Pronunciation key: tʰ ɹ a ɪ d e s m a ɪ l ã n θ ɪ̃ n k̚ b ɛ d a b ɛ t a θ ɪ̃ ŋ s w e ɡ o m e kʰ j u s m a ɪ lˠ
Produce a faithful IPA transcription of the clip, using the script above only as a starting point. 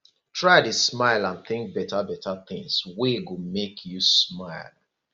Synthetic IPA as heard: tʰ ɹ a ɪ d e s m a ɪ l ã n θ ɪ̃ ŋ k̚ b ɛ t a b ɛ t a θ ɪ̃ ŋ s w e ɡ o m e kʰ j u s m a ɪ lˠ